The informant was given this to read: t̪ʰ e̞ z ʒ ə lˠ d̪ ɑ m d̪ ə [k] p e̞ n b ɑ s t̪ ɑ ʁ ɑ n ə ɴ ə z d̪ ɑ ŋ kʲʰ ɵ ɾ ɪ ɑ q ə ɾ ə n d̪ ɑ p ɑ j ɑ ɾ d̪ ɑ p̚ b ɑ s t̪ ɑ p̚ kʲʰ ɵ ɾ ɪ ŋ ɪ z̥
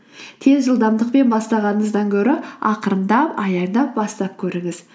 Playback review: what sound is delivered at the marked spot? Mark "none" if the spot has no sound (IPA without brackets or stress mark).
q